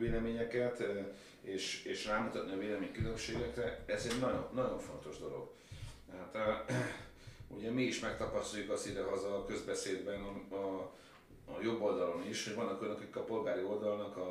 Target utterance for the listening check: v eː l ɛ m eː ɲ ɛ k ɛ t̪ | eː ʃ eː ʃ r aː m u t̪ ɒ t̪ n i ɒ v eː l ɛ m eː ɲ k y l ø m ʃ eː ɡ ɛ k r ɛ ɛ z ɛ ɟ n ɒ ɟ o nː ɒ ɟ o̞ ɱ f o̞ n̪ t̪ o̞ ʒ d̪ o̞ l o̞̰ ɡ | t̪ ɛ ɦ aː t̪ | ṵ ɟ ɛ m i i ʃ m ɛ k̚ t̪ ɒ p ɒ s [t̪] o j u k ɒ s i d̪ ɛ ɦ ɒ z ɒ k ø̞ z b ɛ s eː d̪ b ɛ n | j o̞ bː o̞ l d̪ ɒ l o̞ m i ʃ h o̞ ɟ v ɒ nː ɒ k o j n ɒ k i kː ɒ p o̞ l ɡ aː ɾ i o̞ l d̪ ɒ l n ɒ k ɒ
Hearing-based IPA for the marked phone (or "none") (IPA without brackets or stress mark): t̪